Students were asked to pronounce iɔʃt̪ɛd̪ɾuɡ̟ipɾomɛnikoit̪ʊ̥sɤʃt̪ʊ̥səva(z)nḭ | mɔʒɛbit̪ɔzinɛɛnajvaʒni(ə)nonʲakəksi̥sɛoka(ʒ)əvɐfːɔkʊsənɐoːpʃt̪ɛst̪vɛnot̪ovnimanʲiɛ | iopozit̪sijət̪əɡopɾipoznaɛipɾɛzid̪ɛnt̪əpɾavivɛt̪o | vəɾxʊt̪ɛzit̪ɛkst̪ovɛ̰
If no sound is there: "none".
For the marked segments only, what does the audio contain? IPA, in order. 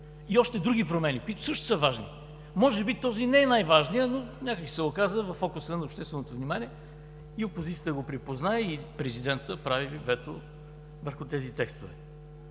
ʒ, ə, z

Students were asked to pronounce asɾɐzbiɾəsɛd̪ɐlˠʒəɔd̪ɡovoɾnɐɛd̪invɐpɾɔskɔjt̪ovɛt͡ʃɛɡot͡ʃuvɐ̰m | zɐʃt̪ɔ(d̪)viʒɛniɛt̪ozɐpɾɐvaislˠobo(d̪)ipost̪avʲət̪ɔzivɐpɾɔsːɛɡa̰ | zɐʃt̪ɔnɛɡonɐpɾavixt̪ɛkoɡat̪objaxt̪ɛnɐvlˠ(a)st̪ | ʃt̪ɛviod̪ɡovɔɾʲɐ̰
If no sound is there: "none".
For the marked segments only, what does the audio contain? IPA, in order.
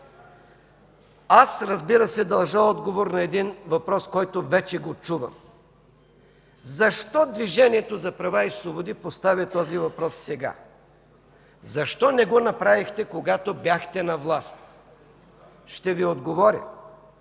d̪, d̪, a

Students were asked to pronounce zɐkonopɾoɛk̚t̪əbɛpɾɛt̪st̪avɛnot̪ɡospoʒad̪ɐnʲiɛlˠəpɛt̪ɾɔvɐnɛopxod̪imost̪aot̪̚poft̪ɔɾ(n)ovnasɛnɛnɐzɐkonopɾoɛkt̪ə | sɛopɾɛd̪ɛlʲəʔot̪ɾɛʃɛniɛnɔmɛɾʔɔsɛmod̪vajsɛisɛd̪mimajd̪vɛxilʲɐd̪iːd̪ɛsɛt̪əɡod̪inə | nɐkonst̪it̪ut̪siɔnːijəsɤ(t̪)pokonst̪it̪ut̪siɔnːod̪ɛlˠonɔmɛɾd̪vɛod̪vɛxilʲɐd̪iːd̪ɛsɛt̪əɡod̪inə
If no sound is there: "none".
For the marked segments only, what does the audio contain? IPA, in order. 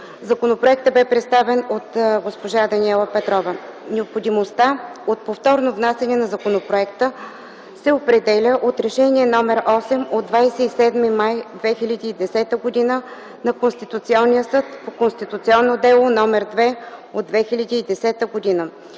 n, t̪

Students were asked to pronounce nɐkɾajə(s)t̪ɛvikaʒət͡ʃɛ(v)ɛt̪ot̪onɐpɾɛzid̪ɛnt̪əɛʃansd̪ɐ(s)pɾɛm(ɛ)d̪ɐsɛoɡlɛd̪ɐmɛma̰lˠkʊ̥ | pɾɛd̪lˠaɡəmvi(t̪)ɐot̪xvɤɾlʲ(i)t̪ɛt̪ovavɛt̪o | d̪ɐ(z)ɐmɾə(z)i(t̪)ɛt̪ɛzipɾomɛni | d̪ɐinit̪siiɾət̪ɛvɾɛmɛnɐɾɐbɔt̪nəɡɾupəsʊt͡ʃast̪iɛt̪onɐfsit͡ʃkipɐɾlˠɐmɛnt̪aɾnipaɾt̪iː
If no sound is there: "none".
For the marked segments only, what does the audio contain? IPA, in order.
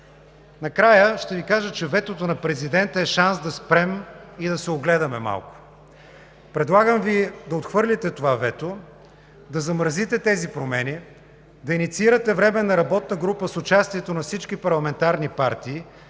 ʃ, v, s, i, d̪, i, z, z, t̪

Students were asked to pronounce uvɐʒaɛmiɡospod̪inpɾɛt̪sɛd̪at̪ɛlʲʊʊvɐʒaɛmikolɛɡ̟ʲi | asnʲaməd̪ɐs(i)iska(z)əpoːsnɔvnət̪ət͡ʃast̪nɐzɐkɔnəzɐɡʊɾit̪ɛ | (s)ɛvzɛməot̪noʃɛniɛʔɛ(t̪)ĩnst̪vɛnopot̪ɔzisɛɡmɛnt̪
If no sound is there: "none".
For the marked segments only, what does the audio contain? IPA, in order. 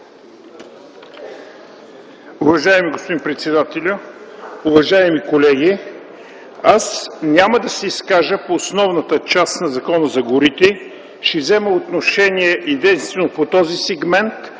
ɛ, ʒ, ʃ, d̪

